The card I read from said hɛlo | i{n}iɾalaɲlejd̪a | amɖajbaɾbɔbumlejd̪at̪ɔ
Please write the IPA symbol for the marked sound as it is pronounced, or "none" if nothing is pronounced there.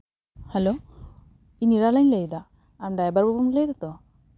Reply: n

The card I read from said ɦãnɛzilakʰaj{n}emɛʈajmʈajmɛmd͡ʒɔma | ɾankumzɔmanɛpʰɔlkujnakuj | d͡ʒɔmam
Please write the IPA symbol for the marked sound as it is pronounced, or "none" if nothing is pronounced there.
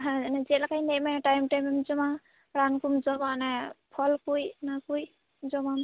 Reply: n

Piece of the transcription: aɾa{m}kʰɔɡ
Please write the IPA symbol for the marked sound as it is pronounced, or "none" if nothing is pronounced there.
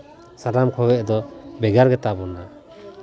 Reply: m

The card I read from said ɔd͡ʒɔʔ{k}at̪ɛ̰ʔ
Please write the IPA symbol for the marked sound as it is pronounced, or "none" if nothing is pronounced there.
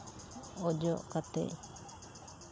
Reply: k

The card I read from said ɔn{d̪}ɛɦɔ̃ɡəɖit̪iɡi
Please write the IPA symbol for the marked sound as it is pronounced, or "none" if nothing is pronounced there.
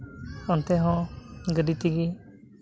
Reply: t̪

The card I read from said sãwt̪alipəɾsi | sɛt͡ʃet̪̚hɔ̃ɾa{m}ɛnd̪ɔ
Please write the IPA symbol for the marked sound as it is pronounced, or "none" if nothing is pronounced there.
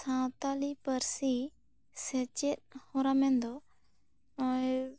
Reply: m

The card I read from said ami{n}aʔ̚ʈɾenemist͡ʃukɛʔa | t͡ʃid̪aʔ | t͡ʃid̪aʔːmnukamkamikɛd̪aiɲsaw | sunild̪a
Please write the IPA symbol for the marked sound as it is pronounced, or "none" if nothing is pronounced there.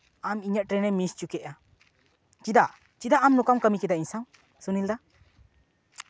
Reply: ɲ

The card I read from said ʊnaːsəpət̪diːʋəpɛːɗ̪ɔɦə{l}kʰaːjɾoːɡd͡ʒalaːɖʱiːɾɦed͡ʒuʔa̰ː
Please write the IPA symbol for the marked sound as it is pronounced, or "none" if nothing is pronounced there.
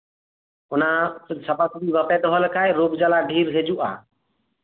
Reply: l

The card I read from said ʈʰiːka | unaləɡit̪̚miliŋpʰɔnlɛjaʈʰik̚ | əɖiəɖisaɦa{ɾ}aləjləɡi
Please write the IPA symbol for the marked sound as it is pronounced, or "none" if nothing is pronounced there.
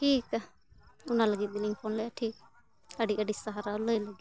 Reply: ɾ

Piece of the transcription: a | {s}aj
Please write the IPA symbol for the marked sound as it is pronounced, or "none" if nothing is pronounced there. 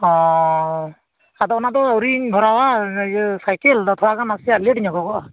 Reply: s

